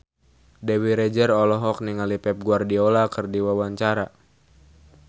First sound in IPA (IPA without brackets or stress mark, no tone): d